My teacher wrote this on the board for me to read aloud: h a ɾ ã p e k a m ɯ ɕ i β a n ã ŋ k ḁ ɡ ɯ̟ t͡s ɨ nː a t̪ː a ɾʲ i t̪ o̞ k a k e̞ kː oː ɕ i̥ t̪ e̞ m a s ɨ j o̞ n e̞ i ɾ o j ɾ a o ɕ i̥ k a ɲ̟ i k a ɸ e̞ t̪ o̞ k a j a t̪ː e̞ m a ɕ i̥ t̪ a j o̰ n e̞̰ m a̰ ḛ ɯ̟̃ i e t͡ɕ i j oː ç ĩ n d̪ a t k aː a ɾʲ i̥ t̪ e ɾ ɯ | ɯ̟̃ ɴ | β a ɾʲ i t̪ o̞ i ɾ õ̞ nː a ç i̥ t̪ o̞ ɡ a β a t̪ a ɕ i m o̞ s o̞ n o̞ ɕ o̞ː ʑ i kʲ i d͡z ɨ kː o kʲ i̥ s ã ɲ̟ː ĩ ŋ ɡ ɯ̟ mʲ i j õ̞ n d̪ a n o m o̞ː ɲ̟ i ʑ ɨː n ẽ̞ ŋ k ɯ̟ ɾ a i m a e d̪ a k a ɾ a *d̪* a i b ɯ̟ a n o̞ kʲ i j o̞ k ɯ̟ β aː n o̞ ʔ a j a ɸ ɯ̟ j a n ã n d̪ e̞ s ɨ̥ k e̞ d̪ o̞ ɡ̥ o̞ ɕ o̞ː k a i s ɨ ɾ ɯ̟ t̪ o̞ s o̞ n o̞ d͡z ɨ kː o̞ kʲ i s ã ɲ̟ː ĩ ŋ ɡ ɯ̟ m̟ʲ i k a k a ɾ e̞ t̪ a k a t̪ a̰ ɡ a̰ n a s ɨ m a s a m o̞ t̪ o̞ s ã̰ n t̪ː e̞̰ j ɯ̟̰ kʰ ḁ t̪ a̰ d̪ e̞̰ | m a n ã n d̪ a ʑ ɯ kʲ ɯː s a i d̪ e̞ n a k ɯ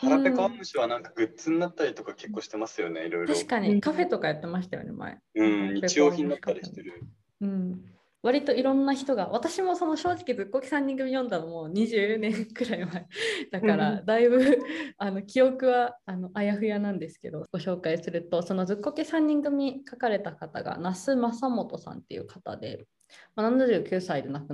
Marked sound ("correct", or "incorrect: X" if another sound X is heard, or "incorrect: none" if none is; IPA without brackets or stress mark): correct